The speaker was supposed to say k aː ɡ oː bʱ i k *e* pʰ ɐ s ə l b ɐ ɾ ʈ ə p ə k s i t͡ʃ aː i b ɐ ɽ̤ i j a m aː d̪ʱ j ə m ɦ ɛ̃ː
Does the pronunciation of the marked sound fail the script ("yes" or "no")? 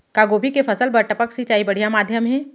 no